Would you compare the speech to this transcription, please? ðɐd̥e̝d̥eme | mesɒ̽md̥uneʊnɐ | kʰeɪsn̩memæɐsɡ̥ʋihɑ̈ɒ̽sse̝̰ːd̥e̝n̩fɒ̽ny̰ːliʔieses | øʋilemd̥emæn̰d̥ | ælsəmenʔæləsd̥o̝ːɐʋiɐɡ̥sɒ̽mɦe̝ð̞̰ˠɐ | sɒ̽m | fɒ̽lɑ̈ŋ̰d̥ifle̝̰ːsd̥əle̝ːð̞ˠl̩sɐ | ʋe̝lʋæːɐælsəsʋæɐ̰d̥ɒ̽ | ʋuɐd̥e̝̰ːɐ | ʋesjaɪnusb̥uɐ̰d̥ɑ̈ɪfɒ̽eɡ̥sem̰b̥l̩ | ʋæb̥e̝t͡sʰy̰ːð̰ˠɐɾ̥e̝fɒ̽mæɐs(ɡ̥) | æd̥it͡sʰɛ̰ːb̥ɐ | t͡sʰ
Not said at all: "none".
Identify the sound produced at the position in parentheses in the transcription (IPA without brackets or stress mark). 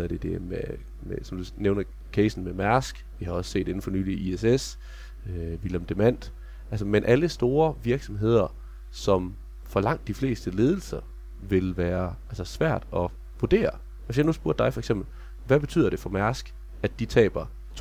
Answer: ɡ̥